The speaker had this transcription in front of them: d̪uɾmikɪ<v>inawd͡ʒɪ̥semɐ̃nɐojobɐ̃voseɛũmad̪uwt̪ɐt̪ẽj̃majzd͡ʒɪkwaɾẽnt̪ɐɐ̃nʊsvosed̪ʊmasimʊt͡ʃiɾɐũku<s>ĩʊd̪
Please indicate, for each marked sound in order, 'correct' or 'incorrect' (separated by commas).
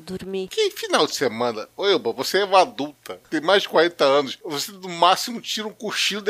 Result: incorrect, incorrect